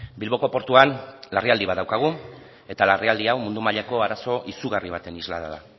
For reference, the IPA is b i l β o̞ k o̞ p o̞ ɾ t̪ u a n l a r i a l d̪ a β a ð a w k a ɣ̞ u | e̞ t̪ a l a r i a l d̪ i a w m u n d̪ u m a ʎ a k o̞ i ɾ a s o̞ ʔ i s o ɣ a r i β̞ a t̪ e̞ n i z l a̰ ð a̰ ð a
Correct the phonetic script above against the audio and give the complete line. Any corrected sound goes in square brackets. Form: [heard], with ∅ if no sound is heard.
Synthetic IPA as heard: b i l β o̞ k o̞ p o̞ ɾ t̪ u a n l a r i a l d̪ [i] β a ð a w k a ɣ̞ u | e̞ t̪ a l a r i a l d̪ i a w m u n d̪ u m a ʎ a k o̞ [a] ɾ a s o̞ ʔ i s [u] ɣ a r i β̞ a t̪ e̞ n i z l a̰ ð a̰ ð a

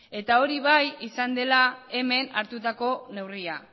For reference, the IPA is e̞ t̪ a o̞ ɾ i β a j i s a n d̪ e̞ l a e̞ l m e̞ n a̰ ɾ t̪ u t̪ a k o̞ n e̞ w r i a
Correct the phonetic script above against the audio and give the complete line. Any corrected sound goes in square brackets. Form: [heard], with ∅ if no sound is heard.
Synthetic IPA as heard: e̞ t̪ a o̞ ɾ i β a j i s a n d̪ e̞ l a e̞ [∅] m e̞ n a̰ ɾ t̪ u t̪ a k o̞ n e̞ w r i a

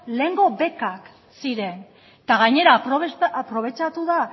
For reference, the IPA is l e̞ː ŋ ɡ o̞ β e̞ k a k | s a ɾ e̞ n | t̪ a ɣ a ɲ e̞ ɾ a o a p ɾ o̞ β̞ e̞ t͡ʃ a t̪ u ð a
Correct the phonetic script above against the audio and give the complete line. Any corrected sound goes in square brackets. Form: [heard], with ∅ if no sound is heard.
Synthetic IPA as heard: l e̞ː ŋ ɡ o̞ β e̞ k a k | s [i] ɾ e̞ n | t̪ a ɣ a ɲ e̞ ɾ a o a p ɾ o̞ β̞ e̞ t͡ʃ a t̪ u ð a

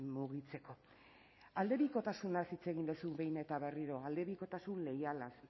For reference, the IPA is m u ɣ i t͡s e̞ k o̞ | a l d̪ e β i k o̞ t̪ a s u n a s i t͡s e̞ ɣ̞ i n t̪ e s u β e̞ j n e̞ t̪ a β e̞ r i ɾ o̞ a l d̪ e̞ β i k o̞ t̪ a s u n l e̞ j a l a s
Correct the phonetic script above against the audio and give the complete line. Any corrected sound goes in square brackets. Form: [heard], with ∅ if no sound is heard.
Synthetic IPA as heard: m u ɣ i t͡s e̞ k o̞ | a l d̪ e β i k o̞ t̪ a s u n a s i t͡s e̞ ɣ̞ i n [d̪] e s u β e̞ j n e̞ t̪ a β e̞ r i ɾ o̞ a l d̪ e̞ β i k o̞ t̪ a s u n l e̞ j a l a s

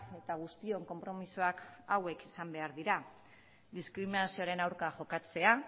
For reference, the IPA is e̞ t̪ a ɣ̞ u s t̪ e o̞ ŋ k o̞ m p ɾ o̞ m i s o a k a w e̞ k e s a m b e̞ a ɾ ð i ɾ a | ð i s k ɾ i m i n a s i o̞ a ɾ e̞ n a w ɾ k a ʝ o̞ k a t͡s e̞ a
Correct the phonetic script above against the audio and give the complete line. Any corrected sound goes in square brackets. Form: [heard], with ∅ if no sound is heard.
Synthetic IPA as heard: e̞ t̪ a ɣ̞ u s t̪ [i] o̞ ŋ k o̞ m p ɾ o̞ m i s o a k a w e̞ k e s a m b e̞ a ɾ ð i ɾ a | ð i s k ɾ i m i n a s i o̞ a ɾ e̞ n a w ɾ k a ʝ o̞ k a t͡s e̞ a

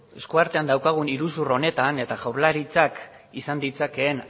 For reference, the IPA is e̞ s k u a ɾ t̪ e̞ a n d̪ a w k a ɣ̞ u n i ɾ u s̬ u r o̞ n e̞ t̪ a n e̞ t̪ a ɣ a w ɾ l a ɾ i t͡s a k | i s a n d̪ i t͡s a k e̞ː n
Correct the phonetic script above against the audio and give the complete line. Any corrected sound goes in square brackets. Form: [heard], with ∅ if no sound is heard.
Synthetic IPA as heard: e̞ s k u a ɾ t̪ e̞ a n d̪ a w k a ɣ̞ u n i ɾ u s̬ u r o̞ n e̞ t̪ a n e̞ t̪ a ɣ a w ɾ l a ɾ i t͡s a k | i s a n d̪ i t͡s a k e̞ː n

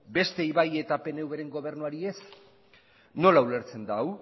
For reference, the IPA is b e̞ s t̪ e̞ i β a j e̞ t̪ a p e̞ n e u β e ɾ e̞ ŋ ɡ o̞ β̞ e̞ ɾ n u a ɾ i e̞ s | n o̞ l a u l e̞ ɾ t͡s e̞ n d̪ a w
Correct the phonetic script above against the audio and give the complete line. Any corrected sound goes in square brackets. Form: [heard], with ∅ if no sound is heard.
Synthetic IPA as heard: b e̞ s t̪ e̞ i β a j e̞ t̪ a p e̞ n e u β e ɾ e̞ ŋ ɡ o̞ β̞ e̞ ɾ n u a ɾ i e̞ s | n o̞ l a u l e̞ ɾ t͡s e̞ n d̪ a w

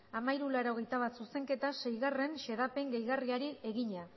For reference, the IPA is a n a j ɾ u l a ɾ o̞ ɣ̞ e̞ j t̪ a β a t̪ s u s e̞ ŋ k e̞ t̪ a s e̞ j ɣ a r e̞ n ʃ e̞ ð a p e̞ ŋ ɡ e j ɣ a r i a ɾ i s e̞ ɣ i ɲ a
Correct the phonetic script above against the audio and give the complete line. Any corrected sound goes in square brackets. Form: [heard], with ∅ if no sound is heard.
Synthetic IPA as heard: a [m] a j ɾ u l a ɾ o̞ ɣ̞ e̞ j t̪ a β a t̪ s u s e̞ ŋ k e̞ t̪ a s e̞ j ɣ a r e̞ n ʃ e̞ ð a p e̞ ŋ ɡ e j ɣ a r i a ɾ i [∅] e̞ ɣ i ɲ a

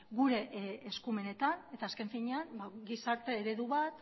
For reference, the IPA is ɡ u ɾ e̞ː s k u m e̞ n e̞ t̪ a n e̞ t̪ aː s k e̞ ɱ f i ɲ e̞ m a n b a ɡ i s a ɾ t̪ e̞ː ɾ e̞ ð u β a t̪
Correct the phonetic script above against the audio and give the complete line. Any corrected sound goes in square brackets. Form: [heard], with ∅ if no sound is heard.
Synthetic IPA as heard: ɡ u ɾ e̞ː s k u m e̞ n e̞ t̪ a n e̞ t̪ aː s k e̞ ɱ f i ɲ e̞ [∅] a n b a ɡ i s a ɾ t̪ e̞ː ɾ e̞ ð u β a t̪

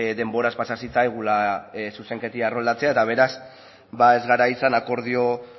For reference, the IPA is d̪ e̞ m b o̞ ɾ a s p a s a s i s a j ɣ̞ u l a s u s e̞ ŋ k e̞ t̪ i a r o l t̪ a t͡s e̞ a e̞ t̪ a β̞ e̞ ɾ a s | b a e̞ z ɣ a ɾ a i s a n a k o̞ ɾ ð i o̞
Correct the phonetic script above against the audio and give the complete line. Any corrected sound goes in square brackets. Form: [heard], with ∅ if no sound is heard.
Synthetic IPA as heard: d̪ e̞ m b o̞ ɾ a s p a s a s i [t͡s] a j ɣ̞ u l a s u s e̞ ŋ k e̞ t̪ i a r o l [d̪] a t͡s e̞ a e̞ t̪ a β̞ e̞ ɾ a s | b a e̞ z ɣ a ɾ a i s a n a k o̞ ɾ ð i o̞

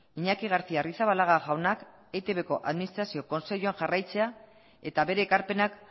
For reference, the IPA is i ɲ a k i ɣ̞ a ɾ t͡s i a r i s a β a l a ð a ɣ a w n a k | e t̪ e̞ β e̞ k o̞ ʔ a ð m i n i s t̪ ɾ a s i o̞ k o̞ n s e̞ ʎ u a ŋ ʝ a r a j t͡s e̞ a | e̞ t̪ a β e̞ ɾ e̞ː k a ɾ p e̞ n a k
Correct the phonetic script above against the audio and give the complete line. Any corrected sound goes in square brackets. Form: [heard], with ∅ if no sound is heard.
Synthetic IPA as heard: i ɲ a k i ɣ̞ a ɾ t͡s i a r i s a β a l a [ɣ] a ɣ a w n a k | e t̪ e̞ β e̞ k o̞ ʔ a ð m i n i s t̪ ɾ a s i o̞ k o̞ n s e̞ ʎ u a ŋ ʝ a r a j t͡s e̞ a | e̞ t̪ a β e̞ ɾ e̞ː k a ɾ p e̞ n a k

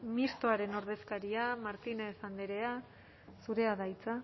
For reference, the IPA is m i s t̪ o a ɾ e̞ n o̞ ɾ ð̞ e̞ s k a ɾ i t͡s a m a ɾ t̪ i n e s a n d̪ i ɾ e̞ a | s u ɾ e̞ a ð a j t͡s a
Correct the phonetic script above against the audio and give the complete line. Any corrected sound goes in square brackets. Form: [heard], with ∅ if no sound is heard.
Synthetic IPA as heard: m i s t̪ o a ɾ e̞ n o̞ ɾ ð̞ e̞ s k a ɾ i [∅] a m a ɾ t̪ i n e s a n d̪ [e] ɾ e̞ a | s u ɾ e̞ a ð a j t͡s a

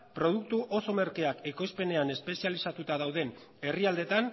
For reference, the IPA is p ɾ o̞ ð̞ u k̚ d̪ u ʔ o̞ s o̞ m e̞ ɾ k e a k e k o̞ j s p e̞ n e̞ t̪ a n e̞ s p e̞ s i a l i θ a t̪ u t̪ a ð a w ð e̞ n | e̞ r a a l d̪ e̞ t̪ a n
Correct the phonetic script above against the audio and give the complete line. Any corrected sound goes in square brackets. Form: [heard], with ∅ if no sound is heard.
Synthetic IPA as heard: p ɾ o̞ ð̞ u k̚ [t̪] u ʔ o̞ s o̞ m e̞ ɾ k e a k e k o̞ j s p e̞ n e̞ [∅] a n e̞ s p e̞ s i a l i [s] a t̪ u t̪ a ð a w ð e̞ n | e̞ r [i] a l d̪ e̞ t̪ a n

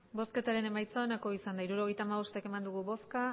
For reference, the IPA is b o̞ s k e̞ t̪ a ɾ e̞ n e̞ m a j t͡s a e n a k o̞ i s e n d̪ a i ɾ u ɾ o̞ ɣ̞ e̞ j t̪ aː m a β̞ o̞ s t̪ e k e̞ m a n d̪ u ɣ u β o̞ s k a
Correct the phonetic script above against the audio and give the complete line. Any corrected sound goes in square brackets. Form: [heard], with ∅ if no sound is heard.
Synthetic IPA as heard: b o̞ s k e̞ t̪ a ɾ e̞ n e̞ m a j t͡s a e n a k o̞ i s [a] n d̪ a i ɾ u ɾ o̞ ɣ̞ e̞ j t̪ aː m a β̞ o̞ s t̪ e k e̞ m a n d̪ u ɣ u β o̞ s k a

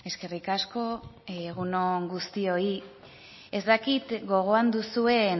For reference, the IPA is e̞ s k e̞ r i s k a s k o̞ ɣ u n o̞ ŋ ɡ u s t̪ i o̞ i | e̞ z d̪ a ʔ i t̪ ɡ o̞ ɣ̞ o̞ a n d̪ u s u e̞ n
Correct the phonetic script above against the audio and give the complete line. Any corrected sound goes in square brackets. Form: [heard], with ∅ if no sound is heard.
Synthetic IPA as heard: e̞ s k e̞ r i [∅] k a s k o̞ ɣ u n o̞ ŋ ɡ u s t̪ i o̞ i | e̞ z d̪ a [k] i t̪ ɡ o̞ ɣ̞ o̞ a n d̪ u s u e̞ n

